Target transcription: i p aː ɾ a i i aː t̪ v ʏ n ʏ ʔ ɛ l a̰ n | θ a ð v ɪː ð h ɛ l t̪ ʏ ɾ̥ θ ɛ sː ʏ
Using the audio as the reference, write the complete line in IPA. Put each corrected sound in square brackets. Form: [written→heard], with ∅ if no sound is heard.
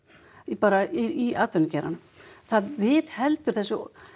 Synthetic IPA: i p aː ɾ a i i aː t̪ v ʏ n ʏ [ʔ→c] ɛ [l→ɾ] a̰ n | θ a ð v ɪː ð h ɛ l t̪ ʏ ɾ̥ θ ɛ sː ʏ